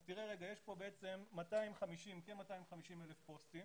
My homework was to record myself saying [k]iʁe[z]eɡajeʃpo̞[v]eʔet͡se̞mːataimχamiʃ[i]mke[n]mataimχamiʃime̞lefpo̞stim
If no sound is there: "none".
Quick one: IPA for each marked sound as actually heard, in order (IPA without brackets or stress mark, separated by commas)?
t, ʁ, b, i, n